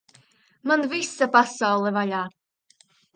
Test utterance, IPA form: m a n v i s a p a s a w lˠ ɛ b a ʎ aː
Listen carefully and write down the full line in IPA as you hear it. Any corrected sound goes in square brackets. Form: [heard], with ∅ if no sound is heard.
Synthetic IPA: m a n v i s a p a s a w lˠ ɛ [v] a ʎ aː